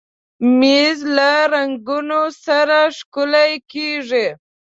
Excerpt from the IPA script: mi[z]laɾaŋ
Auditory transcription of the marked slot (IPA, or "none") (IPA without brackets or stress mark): z